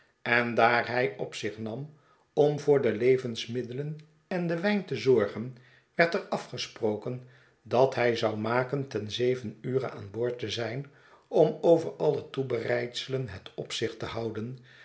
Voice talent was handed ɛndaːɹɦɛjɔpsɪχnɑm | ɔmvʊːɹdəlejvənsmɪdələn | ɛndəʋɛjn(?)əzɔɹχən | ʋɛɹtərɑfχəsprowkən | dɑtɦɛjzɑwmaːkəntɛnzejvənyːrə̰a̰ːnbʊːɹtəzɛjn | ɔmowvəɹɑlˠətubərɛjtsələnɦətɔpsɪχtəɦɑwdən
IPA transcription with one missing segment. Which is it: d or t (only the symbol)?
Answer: t